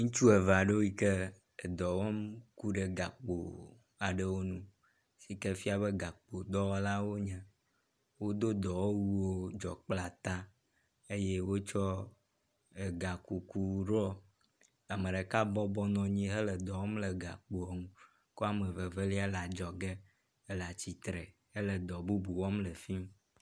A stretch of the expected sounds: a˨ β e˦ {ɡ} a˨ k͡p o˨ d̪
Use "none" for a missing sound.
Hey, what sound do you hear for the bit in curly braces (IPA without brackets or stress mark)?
ɡ